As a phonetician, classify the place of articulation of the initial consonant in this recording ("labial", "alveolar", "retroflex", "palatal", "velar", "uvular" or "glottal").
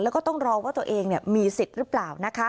alveolar